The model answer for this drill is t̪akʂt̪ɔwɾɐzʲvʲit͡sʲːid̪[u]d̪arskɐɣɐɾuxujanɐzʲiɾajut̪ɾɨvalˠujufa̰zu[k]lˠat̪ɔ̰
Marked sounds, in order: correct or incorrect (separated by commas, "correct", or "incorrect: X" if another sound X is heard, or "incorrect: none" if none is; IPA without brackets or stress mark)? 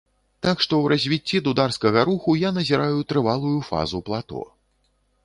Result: correct, incorrect: p